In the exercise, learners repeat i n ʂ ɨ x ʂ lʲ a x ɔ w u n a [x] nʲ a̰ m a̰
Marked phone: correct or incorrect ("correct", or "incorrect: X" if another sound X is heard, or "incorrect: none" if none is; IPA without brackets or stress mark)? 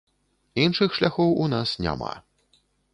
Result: incorrect: s